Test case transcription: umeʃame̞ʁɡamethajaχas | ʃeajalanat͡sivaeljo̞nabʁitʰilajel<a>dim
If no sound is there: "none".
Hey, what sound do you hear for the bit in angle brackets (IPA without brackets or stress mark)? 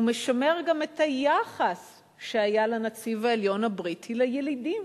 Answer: i